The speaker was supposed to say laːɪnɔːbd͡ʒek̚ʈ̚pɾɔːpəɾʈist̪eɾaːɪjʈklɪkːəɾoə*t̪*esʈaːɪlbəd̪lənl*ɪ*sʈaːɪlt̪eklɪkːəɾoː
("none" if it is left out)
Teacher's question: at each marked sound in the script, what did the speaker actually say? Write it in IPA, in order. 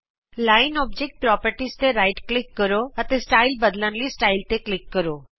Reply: t̪, i

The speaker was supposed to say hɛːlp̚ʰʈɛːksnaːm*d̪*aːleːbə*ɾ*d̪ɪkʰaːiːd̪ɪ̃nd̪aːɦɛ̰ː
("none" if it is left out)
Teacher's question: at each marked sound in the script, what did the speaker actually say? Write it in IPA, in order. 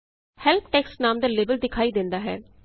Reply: d̪, l

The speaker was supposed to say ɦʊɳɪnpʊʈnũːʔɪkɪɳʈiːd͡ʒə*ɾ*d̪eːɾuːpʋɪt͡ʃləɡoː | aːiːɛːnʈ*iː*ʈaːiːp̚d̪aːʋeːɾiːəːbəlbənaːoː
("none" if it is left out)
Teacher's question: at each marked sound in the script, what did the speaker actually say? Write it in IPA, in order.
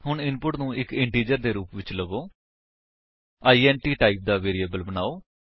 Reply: ɾ, iː

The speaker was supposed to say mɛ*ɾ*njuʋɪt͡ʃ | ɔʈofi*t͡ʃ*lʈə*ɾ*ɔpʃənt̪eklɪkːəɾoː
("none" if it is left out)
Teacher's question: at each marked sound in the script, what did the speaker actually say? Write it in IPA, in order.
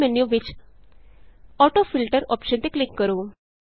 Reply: none, none, ɾ

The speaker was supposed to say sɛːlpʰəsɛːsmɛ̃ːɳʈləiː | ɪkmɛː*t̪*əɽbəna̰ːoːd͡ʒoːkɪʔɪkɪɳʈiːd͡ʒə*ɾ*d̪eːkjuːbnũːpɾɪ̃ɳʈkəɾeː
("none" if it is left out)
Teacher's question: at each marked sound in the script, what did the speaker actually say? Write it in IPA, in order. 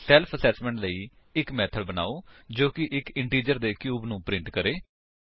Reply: t̪ʰ, ɾ

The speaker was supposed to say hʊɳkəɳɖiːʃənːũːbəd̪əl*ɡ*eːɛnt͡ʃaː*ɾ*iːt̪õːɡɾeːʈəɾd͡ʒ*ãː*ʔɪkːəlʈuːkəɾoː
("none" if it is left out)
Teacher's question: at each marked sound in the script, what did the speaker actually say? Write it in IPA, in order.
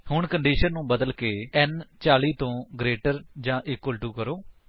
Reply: k, l, ãː

